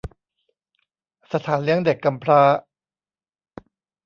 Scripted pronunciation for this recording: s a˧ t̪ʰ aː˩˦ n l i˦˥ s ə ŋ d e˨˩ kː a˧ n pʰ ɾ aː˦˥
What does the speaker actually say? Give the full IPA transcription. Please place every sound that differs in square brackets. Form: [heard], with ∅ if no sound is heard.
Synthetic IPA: s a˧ t̪ʰ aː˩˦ n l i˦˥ [∅] ə ŋ d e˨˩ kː a˧ [m] pʰ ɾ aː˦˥